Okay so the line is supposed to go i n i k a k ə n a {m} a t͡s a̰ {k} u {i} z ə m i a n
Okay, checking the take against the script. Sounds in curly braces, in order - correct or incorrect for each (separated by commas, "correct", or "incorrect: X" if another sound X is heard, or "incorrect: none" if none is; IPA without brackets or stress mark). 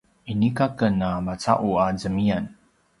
correct, incorrect: ʔ, incorrect: a